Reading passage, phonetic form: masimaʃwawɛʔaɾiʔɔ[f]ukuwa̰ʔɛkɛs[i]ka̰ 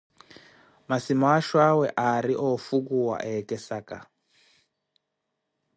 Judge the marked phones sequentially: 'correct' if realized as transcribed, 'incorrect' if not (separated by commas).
correct, incorrect